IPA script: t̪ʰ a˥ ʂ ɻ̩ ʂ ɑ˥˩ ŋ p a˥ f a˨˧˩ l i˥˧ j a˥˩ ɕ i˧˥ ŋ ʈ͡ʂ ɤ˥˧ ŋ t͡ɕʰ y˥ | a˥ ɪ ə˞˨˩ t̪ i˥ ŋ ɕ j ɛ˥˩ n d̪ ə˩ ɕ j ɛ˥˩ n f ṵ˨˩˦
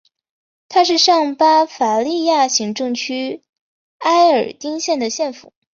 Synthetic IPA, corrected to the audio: t̪ʰ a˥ ʂ ɻ̩ ʂ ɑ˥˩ ŋ p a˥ f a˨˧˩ l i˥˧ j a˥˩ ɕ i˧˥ ŋ ʈ͡ʂ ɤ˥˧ ŋ t͡ɕʰ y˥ | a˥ ɪ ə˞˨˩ t̪ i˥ ŋ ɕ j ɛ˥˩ n d̪ ə˩ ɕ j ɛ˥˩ n f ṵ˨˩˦